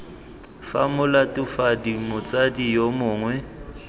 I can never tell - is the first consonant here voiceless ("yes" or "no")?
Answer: yes